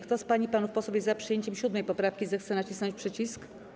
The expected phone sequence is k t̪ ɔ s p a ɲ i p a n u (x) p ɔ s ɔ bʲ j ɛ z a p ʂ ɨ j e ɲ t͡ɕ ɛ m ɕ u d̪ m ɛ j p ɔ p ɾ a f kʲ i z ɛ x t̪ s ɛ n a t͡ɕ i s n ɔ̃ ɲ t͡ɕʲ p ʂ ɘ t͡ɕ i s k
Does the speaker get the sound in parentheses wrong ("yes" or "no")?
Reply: yes